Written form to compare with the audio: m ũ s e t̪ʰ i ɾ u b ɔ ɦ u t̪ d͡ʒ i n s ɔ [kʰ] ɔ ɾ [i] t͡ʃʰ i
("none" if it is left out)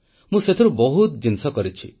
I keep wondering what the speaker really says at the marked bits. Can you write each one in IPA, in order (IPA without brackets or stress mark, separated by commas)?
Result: k, i